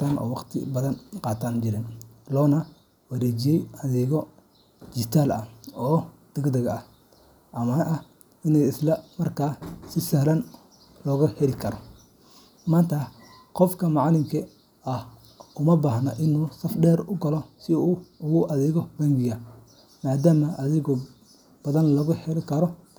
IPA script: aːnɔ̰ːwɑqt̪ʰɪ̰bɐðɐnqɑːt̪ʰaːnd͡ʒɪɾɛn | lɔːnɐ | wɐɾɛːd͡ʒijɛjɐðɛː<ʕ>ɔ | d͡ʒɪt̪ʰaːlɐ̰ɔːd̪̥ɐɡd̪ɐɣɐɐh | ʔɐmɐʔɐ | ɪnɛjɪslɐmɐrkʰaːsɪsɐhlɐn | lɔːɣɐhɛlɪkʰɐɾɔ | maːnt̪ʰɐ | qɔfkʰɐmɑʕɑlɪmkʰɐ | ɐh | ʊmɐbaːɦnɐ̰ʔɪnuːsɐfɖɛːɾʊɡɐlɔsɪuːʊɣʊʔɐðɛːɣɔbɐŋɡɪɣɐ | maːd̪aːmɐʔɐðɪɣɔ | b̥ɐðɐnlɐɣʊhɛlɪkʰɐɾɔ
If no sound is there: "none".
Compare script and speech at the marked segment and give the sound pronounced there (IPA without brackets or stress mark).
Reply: ɣ